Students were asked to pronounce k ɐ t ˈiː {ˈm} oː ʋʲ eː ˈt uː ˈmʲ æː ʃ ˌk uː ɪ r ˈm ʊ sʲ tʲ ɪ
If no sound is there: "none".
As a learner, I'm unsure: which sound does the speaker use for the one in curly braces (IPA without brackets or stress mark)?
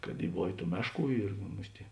b